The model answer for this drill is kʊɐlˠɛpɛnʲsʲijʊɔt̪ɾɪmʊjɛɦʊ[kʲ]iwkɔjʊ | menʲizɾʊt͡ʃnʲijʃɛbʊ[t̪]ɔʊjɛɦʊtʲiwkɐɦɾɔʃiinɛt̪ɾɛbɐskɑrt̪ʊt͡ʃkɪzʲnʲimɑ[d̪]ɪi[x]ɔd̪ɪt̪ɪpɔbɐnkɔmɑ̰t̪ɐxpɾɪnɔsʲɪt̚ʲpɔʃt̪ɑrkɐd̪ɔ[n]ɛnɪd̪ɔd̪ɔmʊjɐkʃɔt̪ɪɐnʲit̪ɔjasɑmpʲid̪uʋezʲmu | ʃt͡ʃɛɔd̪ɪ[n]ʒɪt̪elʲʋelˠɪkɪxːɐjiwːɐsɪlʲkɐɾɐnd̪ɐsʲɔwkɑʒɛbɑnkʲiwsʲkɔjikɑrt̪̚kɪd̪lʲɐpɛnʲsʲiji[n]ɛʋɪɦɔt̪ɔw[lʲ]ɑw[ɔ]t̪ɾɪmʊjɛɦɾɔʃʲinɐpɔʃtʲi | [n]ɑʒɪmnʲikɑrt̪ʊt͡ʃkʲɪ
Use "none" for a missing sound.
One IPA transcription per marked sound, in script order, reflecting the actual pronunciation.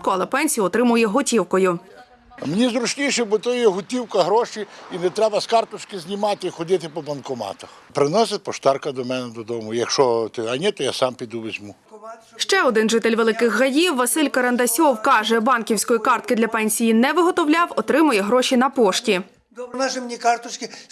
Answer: tʲ, t̪, t̪, x, m, n, n, lʲ, ɔ, n

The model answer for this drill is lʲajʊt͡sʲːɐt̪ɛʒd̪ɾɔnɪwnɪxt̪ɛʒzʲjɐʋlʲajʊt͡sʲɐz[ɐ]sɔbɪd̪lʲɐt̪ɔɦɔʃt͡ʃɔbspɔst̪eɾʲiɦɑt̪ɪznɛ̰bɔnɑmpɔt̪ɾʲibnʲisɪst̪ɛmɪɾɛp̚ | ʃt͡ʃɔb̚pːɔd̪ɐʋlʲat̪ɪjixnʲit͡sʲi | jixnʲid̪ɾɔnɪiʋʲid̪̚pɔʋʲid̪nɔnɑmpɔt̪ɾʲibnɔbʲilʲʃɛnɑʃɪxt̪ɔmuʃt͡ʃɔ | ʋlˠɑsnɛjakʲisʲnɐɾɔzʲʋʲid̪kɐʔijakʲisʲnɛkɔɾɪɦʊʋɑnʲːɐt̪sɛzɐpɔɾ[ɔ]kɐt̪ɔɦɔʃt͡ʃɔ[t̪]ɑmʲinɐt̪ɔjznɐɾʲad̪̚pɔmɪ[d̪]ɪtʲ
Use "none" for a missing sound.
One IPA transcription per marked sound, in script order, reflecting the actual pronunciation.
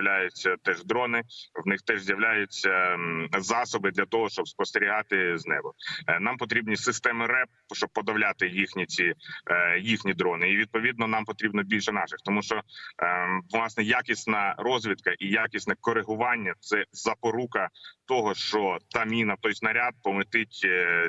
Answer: ɑ, u, t̪, t̪

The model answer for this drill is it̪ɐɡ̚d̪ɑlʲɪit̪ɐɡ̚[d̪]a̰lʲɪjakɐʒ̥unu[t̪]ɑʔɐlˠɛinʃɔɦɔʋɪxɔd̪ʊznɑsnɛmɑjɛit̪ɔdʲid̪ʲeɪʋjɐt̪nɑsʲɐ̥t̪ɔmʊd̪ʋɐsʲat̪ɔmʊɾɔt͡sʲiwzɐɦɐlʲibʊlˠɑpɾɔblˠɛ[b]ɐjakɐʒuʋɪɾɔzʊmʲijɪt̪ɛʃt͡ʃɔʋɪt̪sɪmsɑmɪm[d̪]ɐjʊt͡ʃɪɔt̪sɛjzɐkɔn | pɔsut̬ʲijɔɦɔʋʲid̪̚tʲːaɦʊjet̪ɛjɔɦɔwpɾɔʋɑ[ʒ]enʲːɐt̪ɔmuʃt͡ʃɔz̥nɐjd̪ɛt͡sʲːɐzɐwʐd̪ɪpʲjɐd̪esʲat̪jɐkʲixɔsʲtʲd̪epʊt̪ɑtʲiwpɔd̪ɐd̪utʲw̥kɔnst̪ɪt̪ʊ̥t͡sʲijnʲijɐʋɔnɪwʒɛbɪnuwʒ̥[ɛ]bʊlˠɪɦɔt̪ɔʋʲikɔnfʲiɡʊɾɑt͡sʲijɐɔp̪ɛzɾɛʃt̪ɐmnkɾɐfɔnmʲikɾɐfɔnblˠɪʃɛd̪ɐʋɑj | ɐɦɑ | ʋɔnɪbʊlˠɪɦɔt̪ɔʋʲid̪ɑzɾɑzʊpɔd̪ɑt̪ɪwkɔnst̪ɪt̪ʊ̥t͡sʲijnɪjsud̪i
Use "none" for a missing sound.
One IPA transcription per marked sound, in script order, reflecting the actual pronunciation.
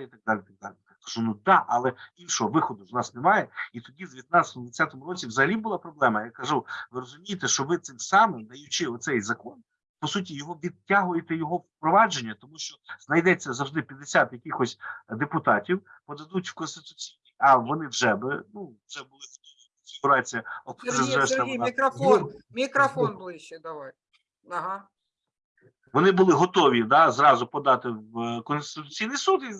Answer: d̪, d̪, m, d̪, d͡ʒ, ɛ

